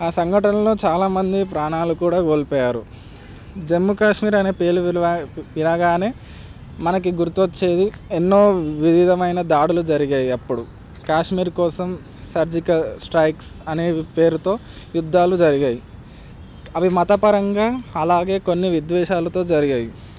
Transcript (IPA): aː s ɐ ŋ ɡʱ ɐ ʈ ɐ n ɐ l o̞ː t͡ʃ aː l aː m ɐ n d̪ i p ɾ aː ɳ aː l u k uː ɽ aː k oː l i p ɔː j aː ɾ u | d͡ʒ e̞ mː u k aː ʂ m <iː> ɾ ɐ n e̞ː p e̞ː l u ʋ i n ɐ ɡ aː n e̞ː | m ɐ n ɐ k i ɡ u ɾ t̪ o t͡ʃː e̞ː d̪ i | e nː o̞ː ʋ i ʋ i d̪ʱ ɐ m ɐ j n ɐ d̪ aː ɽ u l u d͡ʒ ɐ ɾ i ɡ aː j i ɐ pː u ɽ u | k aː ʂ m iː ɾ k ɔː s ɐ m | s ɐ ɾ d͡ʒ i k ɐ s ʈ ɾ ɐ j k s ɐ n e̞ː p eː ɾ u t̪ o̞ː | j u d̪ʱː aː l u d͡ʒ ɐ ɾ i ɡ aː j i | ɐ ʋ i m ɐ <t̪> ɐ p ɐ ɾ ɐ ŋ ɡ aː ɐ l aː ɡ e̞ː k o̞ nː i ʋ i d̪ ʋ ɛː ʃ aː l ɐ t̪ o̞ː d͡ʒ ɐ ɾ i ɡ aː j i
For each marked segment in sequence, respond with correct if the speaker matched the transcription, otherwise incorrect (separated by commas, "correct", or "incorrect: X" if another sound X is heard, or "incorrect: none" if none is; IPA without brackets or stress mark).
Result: correct, correct